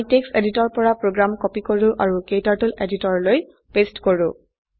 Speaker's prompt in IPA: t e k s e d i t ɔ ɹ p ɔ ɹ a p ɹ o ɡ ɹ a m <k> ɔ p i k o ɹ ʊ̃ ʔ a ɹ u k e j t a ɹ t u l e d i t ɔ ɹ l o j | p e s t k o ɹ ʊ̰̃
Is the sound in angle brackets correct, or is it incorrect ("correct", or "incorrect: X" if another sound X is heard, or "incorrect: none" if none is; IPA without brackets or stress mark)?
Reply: correct